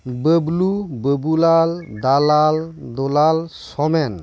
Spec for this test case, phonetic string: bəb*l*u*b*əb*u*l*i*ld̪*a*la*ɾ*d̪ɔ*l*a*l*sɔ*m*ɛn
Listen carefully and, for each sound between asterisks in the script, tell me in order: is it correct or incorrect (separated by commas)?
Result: correct, correct, correct, incorrect, correct, incorrect, correct, correct, correct